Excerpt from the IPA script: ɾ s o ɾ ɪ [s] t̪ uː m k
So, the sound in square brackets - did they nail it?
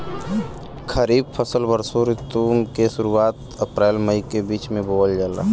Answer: no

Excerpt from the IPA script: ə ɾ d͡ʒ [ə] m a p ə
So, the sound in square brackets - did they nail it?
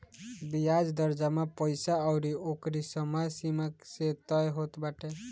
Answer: no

